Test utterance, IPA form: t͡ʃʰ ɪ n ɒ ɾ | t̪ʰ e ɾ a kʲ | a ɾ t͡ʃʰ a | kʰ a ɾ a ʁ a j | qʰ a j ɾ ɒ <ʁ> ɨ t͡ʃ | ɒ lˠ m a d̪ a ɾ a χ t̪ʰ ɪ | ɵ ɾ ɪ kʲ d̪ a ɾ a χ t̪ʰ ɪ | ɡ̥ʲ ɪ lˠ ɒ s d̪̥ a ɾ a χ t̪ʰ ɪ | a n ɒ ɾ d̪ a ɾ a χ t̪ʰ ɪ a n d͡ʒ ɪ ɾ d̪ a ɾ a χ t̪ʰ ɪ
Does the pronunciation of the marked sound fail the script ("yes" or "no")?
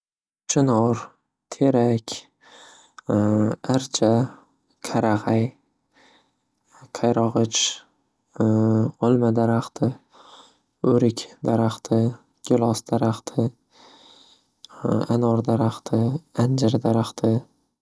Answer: no